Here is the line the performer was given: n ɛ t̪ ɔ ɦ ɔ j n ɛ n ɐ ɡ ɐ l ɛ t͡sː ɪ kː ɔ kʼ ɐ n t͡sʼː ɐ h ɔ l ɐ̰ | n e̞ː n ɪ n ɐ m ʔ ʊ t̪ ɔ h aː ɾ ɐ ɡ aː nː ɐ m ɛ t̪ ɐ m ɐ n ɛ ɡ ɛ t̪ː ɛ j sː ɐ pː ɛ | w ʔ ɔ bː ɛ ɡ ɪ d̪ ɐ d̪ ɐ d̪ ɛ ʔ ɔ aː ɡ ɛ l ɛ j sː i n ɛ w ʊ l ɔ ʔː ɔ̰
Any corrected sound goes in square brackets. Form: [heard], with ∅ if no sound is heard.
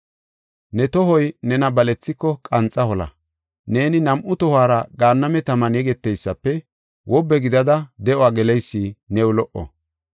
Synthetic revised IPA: n ɛ t̪ ɔ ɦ ɔ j n ɛ n ɐ [b] ɐ l ɛ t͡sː ɪ kː ɔ kʼ ɐ n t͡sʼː ɐ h ɔ l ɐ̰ | n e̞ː n ɪ n ɐ m ʔ ʊ t̪ ɔ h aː ɾ ɐ ɡ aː nː ɐ m ɛ t̪ ɐ m ɐ n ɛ ɡ ɛ t̪ː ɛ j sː ɐ pː ɛ | w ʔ ɔ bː ɛ ɡ ɪ d̪ ɐ d̪ ɐ d̪ ɛ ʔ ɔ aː ɡ ɛ l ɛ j sː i n ɛ w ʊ l ɔ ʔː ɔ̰